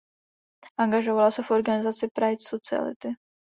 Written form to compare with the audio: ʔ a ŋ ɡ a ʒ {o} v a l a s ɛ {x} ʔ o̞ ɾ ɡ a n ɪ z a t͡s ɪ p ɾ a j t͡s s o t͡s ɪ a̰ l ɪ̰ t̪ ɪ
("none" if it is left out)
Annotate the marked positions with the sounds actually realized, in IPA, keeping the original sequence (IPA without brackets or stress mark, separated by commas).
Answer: o, f